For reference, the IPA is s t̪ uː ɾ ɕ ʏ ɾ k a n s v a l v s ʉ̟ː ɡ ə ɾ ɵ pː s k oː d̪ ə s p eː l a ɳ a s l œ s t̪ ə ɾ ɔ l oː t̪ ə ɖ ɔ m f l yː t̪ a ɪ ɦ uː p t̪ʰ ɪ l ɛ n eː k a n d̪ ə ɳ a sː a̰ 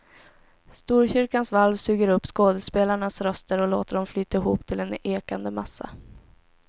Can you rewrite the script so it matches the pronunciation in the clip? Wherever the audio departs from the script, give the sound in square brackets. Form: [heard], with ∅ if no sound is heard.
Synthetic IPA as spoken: s t̪ uː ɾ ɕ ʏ ɾ k a n s v a l v s ʉ̟ː ɡ ə ɾ ɵ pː s k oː d̪ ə s p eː l a ɳ a s [ɾ] œ s t̪ ə ɾ ɔ l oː t̪ ə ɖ ɔ m f l yː t̪ a ɪ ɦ uː p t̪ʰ ɪ l ɛ n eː k a n d̪ ə [m] a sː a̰